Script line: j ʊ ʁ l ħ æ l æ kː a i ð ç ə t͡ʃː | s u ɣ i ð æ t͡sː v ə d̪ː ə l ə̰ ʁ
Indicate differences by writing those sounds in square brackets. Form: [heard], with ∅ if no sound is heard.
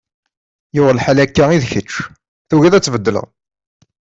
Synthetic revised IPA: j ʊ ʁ l ħ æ l æ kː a i ð ç ə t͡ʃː | [θ] u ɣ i ð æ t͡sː v ə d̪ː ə l ə̰ ʁ